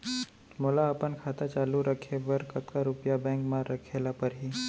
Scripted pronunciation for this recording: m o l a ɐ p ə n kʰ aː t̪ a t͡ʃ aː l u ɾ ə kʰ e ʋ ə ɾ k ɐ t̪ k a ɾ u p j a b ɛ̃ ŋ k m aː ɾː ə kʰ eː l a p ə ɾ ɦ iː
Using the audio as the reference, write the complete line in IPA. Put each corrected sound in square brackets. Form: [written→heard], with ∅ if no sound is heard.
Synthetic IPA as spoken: m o l a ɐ p ə n kʰ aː t̪ a t͡ʃ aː l u ɾ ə kʰ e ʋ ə ɾ k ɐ t̪ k a ɾ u p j a b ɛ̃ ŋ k m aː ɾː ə kʰ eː l a p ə ɾ ɦ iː